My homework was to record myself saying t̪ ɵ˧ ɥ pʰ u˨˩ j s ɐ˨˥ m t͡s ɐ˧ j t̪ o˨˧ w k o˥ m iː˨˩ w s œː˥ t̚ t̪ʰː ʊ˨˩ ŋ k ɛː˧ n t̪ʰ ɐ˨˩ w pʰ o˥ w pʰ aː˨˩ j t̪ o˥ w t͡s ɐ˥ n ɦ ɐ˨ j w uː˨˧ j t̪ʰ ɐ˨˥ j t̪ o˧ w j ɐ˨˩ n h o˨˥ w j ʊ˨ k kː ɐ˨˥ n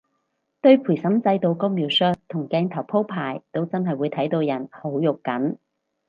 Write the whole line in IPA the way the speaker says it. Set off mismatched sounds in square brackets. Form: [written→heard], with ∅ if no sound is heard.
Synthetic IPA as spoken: t̪ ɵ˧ ɥ pʰ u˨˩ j s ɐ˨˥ m t͡s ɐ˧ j t̪ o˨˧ w k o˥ m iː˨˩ w s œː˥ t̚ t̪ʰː ʊ˨˩ ŋ k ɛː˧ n t̪ʰ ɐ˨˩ w pʰ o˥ w pʰ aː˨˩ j t̪ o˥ w t͡s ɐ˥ n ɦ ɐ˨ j w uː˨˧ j t̪ʰ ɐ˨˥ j t̪ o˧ w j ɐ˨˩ n h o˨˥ w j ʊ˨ k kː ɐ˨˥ n